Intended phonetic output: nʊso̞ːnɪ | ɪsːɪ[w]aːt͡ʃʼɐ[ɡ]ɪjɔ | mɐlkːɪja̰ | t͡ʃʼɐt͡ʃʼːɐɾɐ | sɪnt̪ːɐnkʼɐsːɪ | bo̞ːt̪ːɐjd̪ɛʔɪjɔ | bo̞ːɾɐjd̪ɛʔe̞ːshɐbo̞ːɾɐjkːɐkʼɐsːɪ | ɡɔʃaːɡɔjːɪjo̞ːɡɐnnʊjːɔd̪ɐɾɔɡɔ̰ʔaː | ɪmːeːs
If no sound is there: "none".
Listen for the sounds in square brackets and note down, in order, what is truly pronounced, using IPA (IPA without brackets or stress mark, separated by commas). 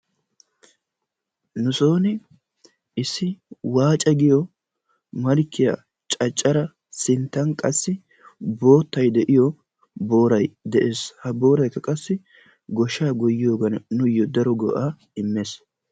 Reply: w, ɡ